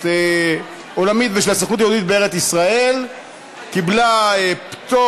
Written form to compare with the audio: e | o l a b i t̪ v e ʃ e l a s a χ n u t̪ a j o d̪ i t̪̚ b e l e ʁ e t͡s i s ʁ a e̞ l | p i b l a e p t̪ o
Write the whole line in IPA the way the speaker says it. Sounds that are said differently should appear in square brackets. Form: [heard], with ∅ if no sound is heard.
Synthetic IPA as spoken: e | o l a [m] i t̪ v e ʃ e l a s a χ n u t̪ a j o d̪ i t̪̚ b e [∅] e ʁ e t͡s i s ʁ a e̞ l | [k] i b l a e p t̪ o